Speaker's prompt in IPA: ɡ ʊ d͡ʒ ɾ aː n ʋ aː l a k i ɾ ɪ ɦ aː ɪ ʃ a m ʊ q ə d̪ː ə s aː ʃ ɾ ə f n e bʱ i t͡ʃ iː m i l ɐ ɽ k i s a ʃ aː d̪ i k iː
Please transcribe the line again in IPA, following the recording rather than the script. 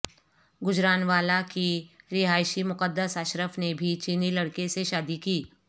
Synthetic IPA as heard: ɡ ʊ d͡ʒ ɾ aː n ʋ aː l a k i ɾ ɪ ɦ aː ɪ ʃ i m ʊ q ə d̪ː ə s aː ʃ ɾ ə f n e bʱ i t͡ʃ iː n i l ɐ ɽ k e s e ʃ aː d̪ i k iː